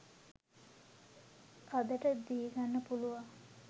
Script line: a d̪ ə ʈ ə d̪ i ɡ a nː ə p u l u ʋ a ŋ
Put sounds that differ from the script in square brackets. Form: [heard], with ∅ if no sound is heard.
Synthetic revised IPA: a d̪ ə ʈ ə d̪ i ɡ a nː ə p u l u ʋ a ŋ